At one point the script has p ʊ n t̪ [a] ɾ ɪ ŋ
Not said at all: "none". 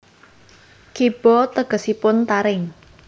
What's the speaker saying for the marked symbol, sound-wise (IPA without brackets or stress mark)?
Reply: a